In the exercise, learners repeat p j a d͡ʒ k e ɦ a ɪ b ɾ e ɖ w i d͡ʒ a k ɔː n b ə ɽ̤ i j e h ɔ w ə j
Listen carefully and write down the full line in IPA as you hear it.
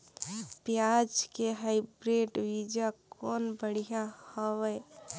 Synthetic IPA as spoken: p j a d͡ʒ k e ɦ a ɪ b ɾ e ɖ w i d͡ʒ a k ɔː n b ə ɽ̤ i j a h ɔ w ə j

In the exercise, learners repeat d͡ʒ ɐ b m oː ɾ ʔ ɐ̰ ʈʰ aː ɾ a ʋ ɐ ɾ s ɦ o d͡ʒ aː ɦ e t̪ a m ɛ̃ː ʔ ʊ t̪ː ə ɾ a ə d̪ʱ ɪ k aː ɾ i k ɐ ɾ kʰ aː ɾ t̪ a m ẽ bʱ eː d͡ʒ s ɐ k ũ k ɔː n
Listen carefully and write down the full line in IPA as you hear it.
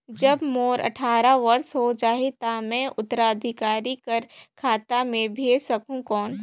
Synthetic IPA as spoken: d͡ʒ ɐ b m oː ɾ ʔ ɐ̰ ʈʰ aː ɾ a ʋ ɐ ɾ s ɦ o d͡ʒ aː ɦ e t̪ a m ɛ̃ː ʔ ʊ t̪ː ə ɾ a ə d̪ʱ ɪ k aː ɾ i k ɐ ɾ kʰ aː t̪ a m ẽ bʱ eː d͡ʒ s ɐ k ũ k ɔː n

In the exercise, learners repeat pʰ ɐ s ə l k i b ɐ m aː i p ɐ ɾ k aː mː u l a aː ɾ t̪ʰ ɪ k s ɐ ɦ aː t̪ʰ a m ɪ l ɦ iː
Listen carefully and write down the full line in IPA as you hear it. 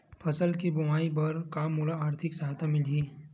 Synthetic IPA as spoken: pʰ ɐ s ə l k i b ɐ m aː i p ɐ ɾ k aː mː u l a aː ɾ t̪ʰ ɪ k s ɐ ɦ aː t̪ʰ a m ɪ l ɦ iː

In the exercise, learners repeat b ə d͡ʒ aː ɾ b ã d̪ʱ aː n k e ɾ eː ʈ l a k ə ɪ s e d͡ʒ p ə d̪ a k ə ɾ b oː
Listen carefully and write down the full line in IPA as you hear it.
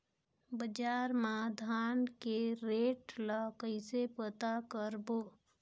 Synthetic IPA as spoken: b ə d͡ʒ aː ɾ m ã d̪ʱ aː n k e ɾ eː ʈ l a k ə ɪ s e p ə t̪ a k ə ɾ b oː

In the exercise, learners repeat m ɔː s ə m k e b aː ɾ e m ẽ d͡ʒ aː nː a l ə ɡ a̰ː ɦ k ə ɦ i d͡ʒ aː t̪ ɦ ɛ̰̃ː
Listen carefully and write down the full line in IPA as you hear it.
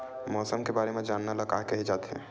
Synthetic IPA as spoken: m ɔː s ə m k e b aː ɾ e m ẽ d͡ʒ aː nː a l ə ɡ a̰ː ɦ k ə ɦ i d͡ʒ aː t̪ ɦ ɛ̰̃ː

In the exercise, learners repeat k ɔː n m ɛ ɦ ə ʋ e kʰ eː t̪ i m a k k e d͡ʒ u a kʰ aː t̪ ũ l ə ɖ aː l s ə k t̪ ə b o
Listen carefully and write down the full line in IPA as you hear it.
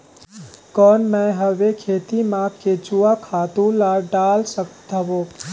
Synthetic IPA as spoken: k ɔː n m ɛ ɦ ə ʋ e kʰ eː t̪ i m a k k e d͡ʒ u a kʰ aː t̪ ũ l a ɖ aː l s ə k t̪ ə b o

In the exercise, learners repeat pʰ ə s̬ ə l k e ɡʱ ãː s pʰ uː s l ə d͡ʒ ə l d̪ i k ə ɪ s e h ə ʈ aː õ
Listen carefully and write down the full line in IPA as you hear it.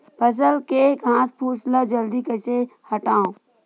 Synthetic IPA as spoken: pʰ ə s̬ ə l k e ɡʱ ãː s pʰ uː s l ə d͡ʒ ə l d̪ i k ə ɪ s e h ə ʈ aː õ

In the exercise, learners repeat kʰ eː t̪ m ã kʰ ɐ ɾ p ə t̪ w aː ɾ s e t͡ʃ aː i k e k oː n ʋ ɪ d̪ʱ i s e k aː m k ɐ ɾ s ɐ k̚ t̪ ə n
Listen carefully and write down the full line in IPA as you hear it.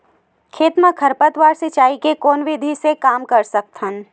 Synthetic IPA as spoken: kʰ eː t̪ m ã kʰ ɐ ɾ p ə t̪ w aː ɾ s e t͡ʃ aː i k e k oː n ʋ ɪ d̪ʱ i s e k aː m k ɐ ɾ s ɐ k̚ t̪ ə n

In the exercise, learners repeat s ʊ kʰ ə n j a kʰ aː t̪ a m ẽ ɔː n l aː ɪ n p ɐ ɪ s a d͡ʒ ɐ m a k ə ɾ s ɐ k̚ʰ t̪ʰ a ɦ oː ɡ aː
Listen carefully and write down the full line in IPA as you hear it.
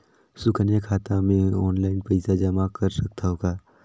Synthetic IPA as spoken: s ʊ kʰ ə n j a kʰ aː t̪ a m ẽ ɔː n l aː ɪ n p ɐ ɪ s a d͡ʒ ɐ m a k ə ɾ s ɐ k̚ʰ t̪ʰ a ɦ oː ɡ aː

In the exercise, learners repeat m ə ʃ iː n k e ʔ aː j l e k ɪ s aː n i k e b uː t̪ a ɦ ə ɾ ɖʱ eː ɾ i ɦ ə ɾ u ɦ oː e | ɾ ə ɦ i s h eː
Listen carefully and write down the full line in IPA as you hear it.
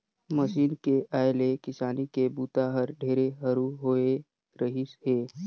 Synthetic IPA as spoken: m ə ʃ iː n k e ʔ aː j l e k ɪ s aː n i k e b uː t̪ a ɦ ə ɾ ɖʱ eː ɾ e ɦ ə ɾ u ɦ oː e | ɾ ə ɦ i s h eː

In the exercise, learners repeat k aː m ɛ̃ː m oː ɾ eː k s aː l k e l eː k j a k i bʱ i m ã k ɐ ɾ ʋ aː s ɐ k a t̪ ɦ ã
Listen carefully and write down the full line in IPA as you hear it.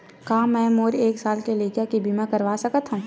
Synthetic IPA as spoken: k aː m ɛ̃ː m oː ɾ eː k s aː l k e l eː k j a k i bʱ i m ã k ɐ ɾ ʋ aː s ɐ k ə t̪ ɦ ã

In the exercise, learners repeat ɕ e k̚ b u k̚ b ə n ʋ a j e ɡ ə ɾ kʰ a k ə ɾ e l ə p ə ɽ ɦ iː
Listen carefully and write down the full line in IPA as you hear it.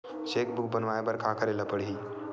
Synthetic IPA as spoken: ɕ e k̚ b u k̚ b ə n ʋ a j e b ə ɾ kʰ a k ə ɾ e l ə p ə ɽ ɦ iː

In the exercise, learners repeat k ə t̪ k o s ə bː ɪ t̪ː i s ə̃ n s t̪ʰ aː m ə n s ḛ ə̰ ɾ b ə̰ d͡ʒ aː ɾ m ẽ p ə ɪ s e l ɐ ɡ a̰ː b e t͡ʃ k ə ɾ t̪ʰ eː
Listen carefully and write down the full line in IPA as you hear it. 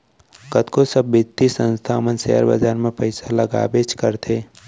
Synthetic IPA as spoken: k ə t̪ k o s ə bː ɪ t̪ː i s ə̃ n s t̪ʰ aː m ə n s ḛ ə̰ ɾ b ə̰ d͡ʒ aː ɾ m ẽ p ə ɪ s a l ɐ ɡ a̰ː b e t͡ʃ k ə ɾ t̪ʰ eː

